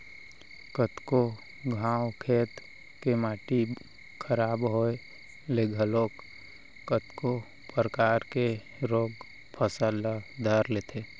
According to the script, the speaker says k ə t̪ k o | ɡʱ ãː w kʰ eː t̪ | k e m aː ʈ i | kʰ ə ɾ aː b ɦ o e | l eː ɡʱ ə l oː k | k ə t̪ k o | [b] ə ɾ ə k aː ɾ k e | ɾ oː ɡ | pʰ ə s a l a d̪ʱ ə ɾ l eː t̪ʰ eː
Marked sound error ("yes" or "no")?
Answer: yes